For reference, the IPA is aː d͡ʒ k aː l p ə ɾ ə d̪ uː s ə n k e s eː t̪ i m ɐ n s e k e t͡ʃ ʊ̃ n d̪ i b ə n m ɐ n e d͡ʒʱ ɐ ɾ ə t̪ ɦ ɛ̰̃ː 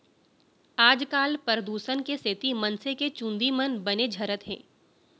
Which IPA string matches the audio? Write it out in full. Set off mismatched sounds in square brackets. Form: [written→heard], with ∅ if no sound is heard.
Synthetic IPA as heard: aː d͡ʒ k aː l p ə ɾ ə d̪ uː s ə n k e s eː t̪ i m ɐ n s e k e t͡ʃ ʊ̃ n d̪ i [b→m] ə n [m→b] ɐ n e d͡ʒʱ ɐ ɾ ə t̪ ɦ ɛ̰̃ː